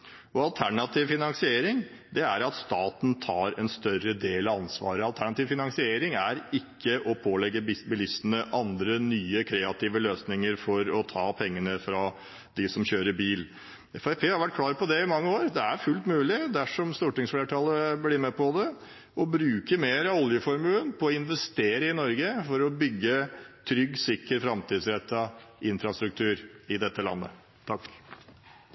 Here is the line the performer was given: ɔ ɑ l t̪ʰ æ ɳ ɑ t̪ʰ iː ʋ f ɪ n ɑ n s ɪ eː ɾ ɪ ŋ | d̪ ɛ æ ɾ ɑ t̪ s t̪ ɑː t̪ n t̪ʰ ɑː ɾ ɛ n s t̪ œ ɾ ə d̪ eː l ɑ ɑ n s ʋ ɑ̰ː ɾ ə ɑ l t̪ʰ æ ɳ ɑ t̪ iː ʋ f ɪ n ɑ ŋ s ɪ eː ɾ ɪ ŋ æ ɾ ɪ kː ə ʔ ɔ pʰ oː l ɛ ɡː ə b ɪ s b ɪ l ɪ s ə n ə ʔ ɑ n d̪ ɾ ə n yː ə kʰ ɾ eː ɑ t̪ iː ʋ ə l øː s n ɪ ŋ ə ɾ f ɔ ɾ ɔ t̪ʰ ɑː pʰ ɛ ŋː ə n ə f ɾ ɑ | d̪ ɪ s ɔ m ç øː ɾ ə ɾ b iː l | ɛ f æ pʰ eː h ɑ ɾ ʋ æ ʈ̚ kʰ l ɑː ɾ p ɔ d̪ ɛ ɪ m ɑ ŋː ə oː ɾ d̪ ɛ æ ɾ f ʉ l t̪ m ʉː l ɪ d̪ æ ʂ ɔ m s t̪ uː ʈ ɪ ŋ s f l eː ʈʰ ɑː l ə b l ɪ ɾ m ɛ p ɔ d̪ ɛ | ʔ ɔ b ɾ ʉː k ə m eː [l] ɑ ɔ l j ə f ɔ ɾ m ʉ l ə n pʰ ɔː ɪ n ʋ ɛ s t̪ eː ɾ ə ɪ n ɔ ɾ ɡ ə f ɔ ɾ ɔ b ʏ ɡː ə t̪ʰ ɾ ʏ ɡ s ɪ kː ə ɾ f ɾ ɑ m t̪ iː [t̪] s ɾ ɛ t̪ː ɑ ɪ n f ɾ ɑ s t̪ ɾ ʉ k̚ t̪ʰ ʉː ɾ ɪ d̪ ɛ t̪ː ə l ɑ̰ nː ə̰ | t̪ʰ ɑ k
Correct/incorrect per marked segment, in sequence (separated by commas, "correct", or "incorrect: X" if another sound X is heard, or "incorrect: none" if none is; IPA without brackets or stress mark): incorrect: ɾ, incorrect: d̪